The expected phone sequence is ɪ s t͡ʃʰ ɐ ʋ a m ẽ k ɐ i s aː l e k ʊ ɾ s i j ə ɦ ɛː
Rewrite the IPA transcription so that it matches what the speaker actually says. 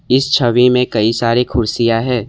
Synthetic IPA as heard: ɪ s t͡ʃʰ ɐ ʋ i m ẽ k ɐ i s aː ɾ e kʰ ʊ ɾ s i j a ɦ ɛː